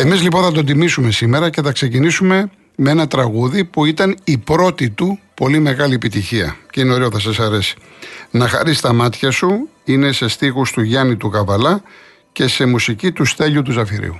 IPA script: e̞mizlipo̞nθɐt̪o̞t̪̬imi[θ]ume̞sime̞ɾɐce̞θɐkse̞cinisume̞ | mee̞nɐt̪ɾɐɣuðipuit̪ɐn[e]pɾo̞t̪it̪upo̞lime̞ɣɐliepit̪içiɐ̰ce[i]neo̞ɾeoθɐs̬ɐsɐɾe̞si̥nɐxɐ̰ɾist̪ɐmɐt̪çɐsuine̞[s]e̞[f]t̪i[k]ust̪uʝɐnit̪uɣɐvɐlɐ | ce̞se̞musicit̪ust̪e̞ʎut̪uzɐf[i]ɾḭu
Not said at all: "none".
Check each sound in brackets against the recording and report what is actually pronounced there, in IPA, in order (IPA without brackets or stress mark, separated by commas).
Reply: s, i, i, s, s, x, i